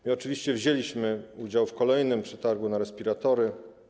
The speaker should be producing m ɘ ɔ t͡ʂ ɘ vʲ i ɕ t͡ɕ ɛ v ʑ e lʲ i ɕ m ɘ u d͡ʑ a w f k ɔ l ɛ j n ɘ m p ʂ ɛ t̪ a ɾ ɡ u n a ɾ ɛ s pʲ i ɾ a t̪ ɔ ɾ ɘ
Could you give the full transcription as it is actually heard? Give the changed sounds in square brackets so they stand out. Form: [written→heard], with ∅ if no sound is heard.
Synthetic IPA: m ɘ ɔ t͡ʂ ɘ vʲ i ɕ t͡ɕ ɛ v ʑ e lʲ i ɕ m ɘ u d͡ʑ a w f k ɔ l ɛ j n ɘ m p ʂ ɛ t̪ a ɾ ɡ u n a ɾ ɛ s pʲ i ɾ a t̪ ɔ ɾ ɘ